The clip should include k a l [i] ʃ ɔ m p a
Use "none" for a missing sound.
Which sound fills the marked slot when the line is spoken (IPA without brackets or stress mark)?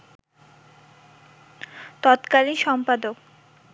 i